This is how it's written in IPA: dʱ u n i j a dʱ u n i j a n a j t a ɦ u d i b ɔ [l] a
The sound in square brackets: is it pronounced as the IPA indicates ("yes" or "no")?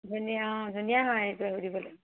yes